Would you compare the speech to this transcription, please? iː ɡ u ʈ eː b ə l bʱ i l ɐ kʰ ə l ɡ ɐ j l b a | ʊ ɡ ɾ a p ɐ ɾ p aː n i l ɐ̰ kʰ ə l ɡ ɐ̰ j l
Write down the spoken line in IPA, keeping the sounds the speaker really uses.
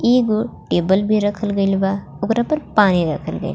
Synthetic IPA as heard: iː ɡ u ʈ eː b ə l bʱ i ɾ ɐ kʰ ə l ɡ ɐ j l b a | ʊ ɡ ɾ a p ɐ ɾ p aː n i ɾ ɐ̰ kʰ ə l ɡ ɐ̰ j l